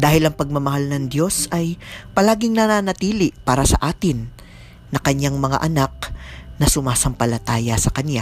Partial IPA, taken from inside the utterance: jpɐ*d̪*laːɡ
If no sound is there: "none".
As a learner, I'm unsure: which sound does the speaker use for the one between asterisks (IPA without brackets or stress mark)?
none